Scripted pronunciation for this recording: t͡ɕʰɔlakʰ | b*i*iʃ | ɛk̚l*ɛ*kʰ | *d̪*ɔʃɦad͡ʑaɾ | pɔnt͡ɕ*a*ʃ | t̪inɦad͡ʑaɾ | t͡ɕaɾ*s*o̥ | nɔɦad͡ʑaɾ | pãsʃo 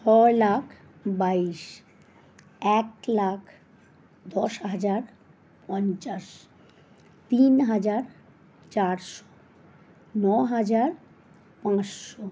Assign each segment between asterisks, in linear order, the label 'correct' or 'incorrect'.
incorrect, incorrect, correct, correct, incorrect

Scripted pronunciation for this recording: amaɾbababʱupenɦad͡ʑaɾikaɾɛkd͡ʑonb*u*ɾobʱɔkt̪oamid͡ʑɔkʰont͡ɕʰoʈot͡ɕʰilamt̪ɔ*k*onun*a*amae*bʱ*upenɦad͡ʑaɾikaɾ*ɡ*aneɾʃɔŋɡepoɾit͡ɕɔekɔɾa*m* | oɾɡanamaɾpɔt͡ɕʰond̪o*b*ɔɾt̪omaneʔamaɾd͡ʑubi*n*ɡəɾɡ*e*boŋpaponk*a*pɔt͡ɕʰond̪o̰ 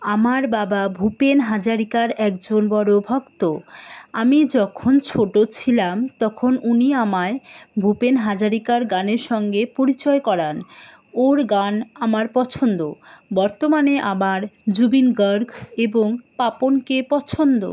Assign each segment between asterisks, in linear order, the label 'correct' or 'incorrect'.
incorrect, incorrect, incorrect, correct, correct, incorrect, correct, correct, correct, incorrect

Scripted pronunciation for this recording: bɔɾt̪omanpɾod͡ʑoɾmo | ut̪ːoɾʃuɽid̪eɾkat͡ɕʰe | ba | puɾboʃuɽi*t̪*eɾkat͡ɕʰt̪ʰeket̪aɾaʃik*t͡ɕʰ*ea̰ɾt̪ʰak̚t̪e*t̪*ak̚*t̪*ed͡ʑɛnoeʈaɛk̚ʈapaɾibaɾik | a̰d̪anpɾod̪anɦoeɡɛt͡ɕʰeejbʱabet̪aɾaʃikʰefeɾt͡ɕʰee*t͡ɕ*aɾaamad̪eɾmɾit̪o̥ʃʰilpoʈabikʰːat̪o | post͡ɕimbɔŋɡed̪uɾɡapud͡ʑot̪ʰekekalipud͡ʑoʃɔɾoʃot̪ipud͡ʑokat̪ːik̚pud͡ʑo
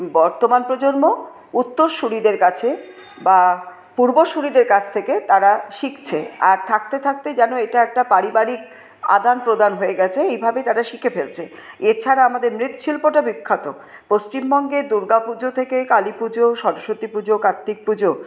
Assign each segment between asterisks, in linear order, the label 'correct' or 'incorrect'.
incorrect, correct, incorrect, correct, incorrect

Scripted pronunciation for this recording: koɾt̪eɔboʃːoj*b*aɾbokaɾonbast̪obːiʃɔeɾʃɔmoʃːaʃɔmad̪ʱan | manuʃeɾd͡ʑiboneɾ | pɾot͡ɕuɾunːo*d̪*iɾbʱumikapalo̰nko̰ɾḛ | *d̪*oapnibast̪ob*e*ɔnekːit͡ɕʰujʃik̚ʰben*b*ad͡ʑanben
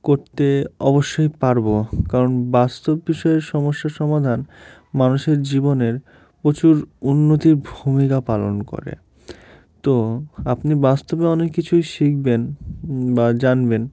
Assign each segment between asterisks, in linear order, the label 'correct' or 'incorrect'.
incorrect, incorrect, incorrect, correct, correct

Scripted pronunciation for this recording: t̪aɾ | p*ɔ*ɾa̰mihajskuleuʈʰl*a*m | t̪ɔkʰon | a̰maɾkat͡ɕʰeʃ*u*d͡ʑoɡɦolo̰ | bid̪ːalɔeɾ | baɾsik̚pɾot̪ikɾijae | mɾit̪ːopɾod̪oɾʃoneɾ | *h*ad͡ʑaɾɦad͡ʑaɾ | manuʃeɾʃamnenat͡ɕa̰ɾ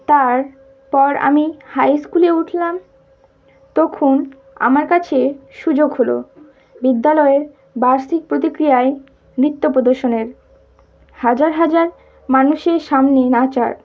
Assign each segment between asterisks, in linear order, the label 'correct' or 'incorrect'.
correct, correct, correct, correct

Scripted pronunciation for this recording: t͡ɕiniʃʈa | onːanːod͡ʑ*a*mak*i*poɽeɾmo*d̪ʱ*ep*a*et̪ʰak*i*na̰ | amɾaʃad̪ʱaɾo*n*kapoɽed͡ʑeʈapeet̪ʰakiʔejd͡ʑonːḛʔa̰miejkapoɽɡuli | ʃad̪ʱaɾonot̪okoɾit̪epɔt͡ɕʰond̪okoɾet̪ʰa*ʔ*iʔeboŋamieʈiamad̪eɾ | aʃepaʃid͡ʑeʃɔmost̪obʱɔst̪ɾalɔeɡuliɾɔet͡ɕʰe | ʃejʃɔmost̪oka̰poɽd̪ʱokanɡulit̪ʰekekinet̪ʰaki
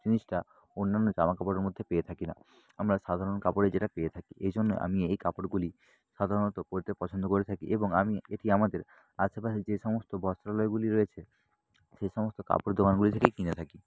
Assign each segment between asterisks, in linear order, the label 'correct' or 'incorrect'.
correct, incorrect, incorrect, incorrect, correct, correct, incorrect

